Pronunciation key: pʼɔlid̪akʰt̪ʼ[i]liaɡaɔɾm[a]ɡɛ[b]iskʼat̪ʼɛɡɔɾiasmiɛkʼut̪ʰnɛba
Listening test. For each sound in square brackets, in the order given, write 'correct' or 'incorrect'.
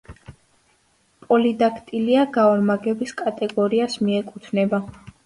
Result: correct, correct, correct

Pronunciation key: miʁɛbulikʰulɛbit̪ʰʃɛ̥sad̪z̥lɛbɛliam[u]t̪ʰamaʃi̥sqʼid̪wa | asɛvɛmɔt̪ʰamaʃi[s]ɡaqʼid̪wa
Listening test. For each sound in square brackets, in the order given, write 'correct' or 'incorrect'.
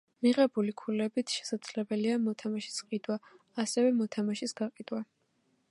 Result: incorrect: ɔ, correct

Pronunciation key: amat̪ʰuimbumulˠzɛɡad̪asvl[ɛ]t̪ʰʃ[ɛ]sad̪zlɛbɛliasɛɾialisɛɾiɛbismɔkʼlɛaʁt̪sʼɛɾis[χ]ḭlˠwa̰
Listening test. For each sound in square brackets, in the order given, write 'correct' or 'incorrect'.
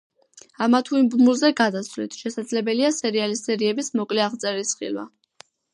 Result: incorrect: i, correct, correct

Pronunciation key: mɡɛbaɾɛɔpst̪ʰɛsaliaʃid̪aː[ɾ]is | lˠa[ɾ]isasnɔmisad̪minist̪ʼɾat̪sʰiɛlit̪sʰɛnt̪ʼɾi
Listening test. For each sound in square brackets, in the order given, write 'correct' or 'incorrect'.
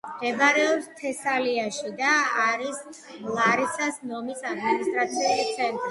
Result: correct, correct

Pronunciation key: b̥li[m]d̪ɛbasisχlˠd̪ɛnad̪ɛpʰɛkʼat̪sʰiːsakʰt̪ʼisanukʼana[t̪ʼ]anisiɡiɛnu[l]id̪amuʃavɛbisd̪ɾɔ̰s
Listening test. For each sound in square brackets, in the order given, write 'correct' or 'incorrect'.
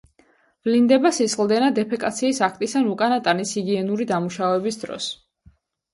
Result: incorrect: n, correct, incorrect: ɾ

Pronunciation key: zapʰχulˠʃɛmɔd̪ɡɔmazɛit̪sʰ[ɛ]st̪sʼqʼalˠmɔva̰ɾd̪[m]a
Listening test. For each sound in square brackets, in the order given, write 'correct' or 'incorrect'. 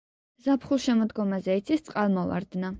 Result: incorrect: i, incorrect: n

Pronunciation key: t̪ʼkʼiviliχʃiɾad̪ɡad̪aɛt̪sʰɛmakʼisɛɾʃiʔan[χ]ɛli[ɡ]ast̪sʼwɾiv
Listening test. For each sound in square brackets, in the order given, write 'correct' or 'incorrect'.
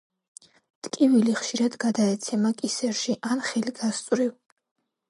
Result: correct, correct

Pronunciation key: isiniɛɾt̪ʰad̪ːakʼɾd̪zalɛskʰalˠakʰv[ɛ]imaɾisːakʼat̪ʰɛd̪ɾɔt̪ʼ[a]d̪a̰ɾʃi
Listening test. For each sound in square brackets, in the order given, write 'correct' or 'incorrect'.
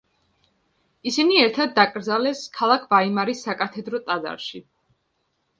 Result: incorrect: a, correct

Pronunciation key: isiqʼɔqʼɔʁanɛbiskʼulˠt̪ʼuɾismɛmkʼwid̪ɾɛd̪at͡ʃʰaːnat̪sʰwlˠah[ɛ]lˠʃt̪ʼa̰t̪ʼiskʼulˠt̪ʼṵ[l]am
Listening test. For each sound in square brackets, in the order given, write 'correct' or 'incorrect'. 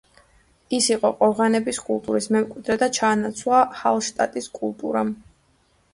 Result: incorrect: a, incorrect: ɾ

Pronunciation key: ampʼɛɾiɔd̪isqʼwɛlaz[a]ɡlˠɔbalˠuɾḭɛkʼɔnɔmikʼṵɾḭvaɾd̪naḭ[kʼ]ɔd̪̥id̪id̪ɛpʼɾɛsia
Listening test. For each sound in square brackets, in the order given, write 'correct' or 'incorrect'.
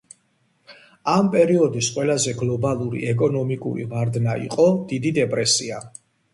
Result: incorrect: ɛ, incorrect: qʼ

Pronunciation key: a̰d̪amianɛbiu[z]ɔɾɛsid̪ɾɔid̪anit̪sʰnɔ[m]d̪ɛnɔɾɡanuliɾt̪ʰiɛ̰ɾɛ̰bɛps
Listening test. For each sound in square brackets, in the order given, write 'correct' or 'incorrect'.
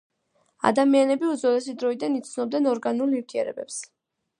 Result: correct, incorrect: b

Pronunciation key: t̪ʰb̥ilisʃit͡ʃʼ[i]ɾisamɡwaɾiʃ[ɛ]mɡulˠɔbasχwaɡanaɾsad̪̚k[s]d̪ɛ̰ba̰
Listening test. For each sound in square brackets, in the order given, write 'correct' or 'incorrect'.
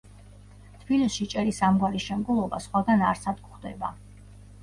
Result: incorrect: ɛ, correct, incorrect: χ

